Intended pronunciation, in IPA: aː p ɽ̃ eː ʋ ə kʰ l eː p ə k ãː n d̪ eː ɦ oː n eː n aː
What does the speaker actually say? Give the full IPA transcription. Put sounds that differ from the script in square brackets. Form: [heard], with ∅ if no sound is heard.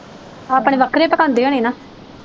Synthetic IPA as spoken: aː p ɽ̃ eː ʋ ə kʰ [ɾ] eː p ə k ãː n d̪ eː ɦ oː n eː n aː